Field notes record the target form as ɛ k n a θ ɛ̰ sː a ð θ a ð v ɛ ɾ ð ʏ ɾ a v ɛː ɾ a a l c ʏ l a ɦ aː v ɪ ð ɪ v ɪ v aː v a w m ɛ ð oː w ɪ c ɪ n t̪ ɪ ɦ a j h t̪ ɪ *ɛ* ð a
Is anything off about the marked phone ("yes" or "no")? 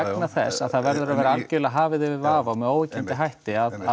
yes